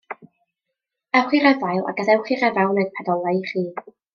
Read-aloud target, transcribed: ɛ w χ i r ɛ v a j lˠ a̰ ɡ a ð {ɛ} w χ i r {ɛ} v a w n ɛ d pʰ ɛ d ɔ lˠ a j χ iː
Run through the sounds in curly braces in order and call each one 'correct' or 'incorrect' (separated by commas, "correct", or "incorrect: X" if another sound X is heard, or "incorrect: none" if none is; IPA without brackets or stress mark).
correct, correct